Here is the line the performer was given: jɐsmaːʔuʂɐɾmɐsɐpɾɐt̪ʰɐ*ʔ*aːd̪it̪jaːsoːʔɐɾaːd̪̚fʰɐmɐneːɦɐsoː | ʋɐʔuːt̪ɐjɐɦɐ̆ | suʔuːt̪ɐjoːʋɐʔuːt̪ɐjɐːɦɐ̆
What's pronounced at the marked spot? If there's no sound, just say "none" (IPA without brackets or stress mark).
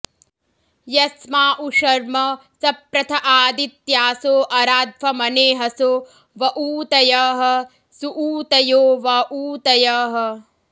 ʔ